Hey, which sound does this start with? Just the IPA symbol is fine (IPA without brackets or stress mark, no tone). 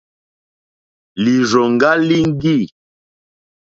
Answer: l